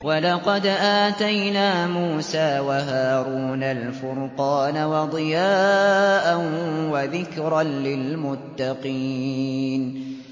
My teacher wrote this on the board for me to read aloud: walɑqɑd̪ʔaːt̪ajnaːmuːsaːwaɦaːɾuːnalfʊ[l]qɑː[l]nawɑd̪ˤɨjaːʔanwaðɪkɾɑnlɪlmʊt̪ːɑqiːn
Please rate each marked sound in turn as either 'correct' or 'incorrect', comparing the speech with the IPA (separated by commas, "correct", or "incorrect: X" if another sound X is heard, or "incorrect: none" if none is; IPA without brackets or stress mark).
incorrect: ɾ, incorrect: none